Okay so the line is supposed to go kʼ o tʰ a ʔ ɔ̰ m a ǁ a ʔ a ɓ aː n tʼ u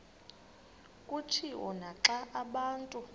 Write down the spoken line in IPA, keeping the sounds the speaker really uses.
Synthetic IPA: kʼ u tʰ i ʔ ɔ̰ n a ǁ a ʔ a ɓ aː n tʼ u